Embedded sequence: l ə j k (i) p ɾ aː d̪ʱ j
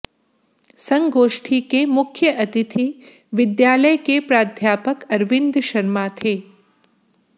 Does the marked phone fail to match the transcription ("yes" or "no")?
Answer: yes